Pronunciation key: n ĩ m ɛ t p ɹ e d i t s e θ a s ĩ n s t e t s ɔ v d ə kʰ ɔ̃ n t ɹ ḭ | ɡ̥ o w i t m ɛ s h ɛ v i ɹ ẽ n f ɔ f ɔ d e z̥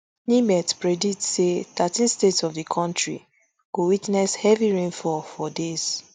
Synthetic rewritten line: n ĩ m ɛ t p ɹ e d i t s e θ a t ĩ n s t e t s ɔ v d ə kʰ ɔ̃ n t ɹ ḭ | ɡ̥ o w i t n ɛ s h ɛ v i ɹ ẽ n f ɔ f ɔ d e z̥